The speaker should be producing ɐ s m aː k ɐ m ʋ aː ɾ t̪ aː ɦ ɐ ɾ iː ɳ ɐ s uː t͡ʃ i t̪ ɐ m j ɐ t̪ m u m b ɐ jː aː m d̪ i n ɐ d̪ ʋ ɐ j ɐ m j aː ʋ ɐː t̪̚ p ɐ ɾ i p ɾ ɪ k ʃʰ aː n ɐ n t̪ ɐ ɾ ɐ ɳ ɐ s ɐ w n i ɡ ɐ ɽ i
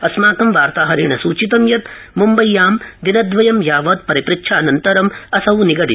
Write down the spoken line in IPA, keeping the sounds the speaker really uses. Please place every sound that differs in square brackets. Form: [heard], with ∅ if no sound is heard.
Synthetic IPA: ɐ s m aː k ɐ m ʋ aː ɾ t̪ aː ɦ ɐ ɾ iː ɳ ɐ s uː t͡ʃ i t̪ ɐ m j ɐ t̪ m u m b ɐ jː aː m d̪ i n ɐ d̪ ʋ ɐ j ɐ m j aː ʋ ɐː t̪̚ p ɐ ɾ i p ɾ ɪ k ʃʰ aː n ɐ n t̪ ɐ ɾ ɐ [m] ɐ s ɐ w n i ɡ ɐ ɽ i

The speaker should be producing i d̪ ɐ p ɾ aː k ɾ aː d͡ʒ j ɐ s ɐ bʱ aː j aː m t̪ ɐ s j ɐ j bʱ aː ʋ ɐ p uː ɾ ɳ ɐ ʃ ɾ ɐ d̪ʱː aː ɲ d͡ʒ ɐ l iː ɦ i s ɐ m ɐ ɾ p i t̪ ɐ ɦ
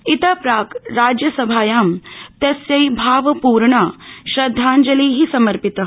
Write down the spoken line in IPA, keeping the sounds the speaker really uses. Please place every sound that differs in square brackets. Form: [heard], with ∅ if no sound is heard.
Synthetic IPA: i [t̪] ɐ p ɾ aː k ɾ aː d͡ʒ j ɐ s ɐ bʱ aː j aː m t̪ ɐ s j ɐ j bʱ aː ʋ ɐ p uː ɾ ɳ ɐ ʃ ɾ ɐ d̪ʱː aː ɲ d͡ʒ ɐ l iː ɦ i s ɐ m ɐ ɾ p i t̪ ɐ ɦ

